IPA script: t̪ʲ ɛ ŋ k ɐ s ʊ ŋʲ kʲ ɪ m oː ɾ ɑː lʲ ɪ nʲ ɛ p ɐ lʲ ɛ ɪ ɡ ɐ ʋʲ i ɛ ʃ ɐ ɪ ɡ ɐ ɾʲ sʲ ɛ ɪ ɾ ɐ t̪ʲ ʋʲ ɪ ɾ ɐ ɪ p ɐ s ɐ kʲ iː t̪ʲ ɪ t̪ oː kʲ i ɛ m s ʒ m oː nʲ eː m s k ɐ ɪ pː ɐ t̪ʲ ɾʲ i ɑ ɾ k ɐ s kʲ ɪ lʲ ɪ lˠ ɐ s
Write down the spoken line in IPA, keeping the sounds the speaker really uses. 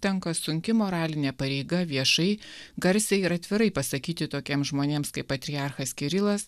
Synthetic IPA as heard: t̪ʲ ɛ ŋ k ɐ s ʊ ŋʲ kʲ ɪ m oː ɾ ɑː lʲ ɪ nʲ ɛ p ɐ ɾʲ ɛ ɪ ɡ ɐ ʋʲ i ɛ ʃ ɐ ɪ ɡ ɐ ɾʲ sʲ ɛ ɪ ɾ ɐ t̪ʲ ʋʲ ɪ ɾ ɐ ɪ p ɐ s ɐ kʲ iː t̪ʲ ɪ t̪ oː kʲ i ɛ m s ʒ m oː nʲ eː m s k ɐ ɪ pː ɐ t̪ʲ ɾʲ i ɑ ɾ x ɐ s kʲ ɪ ɾʲ ɪ lˠ ɐ s